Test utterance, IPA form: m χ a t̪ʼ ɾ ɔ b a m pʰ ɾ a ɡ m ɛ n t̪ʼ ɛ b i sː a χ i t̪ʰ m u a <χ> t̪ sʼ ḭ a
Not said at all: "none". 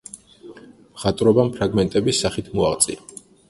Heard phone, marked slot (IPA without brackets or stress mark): ʁ